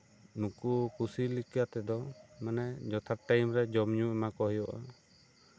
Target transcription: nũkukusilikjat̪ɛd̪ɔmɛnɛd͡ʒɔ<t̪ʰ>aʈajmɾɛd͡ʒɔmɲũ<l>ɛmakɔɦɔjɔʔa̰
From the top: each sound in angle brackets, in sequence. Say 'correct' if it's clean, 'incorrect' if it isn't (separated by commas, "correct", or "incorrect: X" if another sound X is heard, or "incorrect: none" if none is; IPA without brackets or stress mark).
correct, incorrect: none